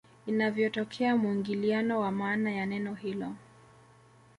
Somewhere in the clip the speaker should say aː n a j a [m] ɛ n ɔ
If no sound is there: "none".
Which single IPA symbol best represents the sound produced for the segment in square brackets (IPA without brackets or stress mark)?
n